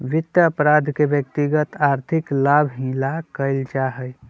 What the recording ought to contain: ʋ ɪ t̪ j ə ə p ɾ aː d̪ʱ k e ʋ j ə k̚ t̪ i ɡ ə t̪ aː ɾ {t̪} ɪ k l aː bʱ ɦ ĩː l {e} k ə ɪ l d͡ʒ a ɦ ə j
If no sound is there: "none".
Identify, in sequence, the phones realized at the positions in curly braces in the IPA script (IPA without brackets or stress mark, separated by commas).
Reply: t̪ʰ, a